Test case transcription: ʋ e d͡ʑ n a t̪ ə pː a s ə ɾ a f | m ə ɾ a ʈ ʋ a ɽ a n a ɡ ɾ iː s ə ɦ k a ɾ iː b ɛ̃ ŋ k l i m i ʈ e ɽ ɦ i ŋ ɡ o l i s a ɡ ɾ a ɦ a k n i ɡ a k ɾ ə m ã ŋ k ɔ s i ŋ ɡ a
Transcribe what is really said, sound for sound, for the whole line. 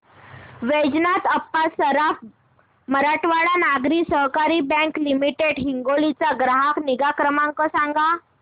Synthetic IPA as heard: ʋ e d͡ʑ n a t̪ ə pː a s ə ɾ a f | m ə ɾ a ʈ ʋ a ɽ a n a ɡ ɾ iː s ə ɦ k a ɾ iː b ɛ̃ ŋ k l i m i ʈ e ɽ ɦ i ŋ ɡ o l i t͡s a ɡ ɾ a ɦ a k n i ɡ a k ɾ ə m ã ŋ k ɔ s a ŋ ɡ a